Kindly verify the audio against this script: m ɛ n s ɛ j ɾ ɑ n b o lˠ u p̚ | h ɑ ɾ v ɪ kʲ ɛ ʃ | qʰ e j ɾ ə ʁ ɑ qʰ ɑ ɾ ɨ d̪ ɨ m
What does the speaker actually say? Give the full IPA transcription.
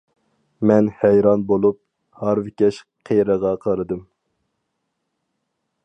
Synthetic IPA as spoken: m ɛ n h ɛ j ɾ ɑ n b o lˠ u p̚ | h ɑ ɾ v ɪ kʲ ɛ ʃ | qʰ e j ɾ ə ʁ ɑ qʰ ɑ ɾ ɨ d̪ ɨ m